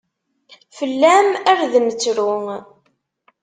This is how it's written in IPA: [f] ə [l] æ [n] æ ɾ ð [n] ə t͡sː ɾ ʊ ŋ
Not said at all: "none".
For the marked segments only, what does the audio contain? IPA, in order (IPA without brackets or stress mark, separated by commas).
f, lː, m, m